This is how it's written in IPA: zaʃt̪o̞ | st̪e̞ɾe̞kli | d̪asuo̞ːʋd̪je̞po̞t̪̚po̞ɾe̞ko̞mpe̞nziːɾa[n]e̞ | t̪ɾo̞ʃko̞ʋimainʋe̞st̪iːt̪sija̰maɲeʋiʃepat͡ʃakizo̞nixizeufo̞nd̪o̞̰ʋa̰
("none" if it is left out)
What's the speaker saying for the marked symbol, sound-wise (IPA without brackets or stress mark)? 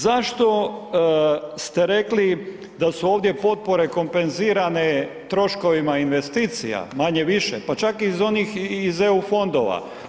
n